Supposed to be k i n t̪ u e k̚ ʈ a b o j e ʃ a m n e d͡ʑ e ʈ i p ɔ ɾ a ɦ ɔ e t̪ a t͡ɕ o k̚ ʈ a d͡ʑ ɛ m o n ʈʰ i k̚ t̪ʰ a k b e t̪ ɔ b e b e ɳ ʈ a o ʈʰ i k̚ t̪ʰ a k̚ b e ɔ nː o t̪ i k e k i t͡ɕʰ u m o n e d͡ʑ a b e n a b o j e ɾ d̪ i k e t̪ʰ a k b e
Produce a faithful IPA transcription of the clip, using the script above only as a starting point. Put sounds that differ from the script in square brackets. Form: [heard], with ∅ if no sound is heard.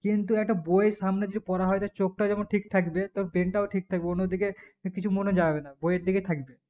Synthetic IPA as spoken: k i n t̪ u [ɛ] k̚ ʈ a b o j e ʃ a m n e d͡ʑ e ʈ i p ɔ ɾ a ɦ ɔ e t̪ a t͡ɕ o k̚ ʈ a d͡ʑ ɛ m o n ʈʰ i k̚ t̪ʰ a k b e t̪ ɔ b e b e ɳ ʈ a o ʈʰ i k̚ t̪ʰ a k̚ b e [o] nː o [d̪] i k e k i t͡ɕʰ u m o n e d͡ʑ a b e n a b o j e ɾ d̪ i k e t̪ʰ a k b e